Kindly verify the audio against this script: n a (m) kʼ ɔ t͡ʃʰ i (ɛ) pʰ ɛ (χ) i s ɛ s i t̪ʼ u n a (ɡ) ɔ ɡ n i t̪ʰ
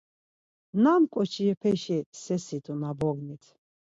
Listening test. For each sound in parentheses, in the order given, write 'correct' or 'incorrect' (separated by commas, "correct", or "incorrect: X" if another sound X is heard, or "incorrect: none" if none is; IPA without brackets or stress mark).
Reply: correct, correct, incorrect: ʃ, incorrect: b